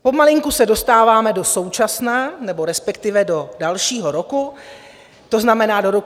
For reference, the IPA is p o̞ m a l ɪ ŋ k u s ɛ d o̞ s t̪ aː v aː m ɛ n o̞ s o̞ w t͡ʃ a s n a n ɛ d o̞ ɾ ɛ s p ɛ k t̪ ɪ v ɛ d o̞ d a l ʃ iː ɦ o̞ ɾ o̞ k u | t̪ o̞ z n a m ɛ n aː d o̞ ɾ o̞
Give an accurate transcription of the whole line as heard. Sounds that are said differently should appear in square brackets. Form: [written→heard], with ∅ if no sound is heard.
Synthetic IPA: p o̞ m a l ɪ ŋ k u s ɛ d o̞ s t̪ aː v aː m ɛ [n→d] o̞ s o̞ w t͡ʃ a s n a n ɛ [d→b] o̞ ɾ ɛ s p ɛ k t̪ ɪ v ɛ d o̞ d a l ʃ iː ɦ o̞ ɾ o̞ k u | t̪ o̞ z n a m ɛ n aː d o̞ ɾ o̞